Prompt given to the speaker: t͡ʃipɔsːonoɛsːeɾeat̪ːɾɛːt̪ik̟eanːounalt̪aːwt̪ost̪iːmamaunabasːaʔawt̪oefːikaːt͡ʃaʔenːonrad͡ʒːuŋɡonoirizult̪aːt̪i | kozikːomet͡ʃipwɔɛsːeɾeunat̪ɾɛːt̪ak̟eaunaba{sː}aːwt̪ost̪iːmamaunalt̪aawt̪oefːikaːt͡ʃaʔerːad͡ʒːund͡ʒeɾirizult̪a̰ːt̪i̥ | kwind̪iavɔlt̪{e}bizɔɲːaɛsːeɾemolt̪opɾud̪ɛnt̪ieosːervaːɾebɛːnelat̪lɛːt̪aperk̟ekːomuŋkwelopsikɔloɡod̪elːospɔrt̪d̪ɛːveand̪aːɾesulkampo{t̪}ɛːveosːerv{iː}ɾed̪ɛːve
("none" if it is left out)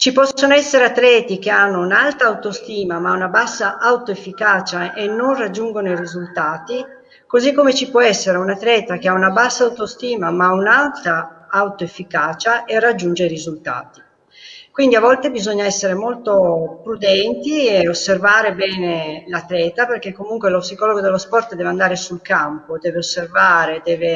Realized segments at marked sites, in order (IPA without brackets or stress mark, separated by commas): sː, e, d̪, aː